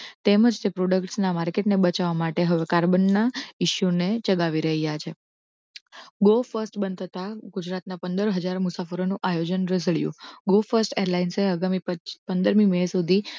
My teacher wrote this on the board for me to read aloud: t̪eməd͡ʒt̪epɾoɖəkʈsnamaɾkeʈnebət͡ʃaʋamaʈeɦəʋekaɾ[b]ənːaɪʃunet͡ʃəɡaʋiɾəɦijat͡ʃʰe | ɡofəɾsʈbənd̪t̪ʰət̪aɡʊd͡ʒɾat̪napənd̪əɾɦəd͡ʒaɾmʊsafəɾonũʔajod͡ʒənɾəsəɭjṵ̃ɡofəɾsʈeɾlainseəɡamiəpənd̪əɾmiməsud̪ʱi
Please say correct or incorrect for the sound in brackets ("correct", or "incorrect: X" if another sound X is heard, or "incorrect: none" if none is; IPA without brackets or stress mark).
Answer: correct